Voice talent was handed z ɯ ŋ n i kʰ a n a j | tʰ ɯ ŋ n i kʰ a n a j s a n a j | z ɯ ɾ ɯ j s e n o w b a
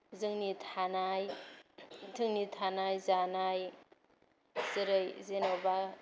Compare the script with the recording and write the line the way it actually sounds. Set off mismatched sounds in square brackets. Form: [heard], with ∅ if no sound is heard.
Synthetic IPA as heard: z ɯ ŋ n i [tʰ] a n a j | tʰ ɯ ŋ n i [tʰ] a n a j [z] a n a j | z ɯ ɾ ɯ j [z] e n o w b a